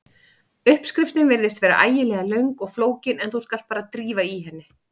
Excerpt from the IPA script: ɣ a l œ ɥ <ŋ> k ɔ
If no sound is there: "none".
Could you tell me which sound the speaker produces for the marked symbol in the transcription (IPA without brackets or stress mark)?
ŋ